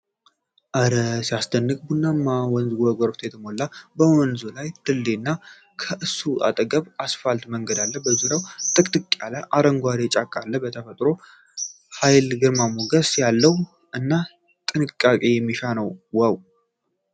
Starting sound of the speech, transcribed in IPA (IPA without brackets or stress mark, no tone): ʔ